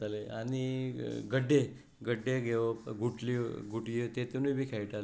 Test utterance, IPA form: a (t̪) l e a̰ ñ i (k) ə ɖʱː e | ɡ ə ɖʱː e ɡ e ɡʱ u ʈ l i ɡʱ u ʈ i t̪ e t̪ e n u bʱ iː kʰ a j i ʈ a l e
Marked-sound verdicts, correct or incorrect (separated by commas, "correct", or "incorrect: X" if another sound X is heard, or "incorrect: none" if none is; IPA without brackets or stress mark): incorrect: none, incorrect: ɡ